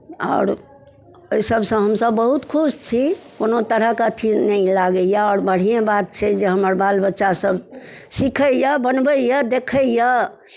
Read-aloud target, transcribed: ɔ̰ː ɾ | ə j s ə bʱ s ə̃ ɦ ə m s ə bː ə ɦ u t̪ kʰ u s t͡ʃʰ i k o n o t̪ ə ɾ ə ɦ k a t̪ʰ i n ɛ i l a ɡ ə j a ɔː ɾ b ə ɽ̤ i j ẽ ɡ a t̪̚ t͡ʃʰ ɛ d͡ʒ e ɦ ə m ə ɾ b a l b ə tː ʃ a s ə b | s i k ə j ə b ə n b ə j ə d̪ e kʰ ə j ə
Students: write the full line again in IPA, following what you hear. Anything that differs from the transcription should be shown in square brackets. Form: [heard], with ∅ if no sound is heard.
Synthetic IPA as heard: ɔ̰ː ɾ | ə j s ə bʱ s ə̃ ɦ ə m s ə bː ə ɦ u t̪ kʰ u s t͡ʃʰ i k o n o t̪ ə ɾ ə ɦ k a t̪ʰ i n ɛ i l a ɡ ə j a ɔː ɾ b ə ɽ̤ i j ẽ [b] a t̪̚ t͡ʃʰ ɛ d͡ʒ e ɦ ə m ə ɾ b a l b ə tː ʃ a s ə b | s i [kʰ] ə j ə b ə n b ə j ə d̪ e kʰ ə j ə